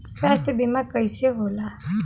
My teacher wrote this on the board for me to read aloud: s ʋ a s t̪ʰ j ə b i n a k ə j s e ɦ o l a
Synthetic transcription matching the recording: s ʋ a s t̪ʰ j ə b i m a k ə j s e ɦ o l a